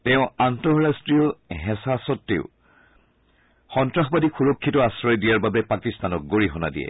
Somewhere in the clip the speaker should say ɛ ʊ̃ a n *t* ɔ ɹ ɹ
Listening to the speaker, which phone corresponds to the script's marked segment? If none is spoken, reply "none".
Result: t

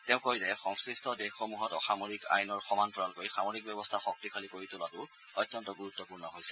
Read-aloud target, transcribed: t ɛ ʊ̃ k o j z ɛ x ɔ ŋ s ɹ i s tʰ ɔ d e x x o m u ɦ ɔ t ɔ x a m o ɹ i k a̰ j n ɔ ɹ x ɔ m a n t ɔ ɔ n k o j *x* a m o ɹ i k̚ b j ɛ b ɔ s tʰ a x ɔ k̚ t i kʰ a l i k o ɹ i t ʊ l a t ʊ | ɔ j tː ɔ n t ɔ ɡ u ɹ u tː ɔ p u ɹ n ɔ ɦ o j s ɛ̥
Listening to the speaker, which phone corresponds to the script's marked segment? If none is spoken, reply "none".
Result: x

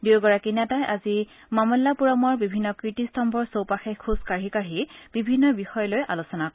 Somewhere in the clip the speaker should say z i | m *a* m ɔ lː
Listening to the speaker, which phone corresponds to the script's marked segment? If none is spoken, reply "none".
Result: a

